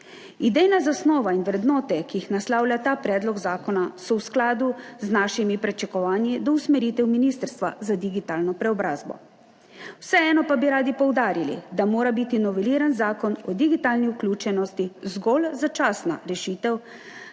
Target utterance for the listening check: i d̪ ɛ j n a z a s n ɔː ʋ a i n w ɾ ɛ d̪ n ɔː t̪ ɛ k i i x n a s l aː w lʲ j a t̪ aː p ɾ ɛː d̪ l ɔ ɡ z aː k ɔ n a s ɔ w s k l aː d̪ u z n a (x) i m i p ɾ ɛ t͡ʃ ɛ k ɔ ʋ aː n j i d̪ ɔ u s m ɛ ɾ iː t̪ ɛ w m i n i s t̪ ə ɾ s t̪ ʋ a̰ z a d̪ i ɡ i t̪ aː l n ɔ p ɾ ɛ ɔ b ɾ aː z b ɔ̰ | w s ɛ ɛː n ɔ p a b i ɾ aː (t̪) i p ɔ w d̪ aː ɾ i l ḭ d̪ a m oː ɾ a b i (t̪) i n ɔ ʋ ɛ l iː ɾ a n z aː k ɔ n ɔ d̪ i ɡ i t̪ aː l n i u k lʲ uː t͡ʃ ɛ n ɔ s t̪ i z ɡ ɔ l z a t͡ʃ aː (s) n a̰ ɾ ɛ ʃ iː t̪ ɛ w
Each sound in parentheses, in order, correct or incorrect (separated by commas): incorrect, incorrect, correct, correct